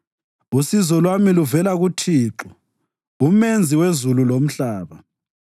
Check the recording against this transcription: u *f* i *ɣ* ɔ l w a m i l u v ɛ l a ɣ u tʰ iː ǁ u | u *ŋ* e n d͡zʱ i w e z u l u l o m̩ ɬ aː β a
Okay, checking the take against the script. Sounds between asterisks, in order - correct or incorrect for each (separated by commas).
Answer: incorrect, incorrect, incorrect